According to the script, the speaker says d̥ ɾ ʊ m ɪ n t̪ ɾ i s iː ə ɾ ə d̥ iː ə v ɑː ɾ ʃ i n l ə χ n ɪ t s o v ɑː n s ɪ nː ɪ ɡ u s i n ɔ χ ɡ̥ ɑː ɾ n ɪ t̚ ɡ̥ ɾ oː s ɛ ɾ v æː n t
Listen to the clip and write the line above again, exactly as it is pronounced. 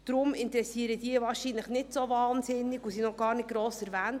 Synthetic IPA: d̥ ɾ ʊ m ɪ n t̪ ɾ ɛ s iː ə ɾ ə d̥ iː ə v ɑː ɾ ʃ i n l ə χ n ɪ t s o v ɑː n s ɪ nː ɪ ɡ u s i n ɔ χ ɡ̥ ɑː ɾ n ɪ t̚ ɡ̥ ɾ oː s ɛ ɾ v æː n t